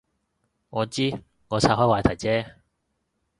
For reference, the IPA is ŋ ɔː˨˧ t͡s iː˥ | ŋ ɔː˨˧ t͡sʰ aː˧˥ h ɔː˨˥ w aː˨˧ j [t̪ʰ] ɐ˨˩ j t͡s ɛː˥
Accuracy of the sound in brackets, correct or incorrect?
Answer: correct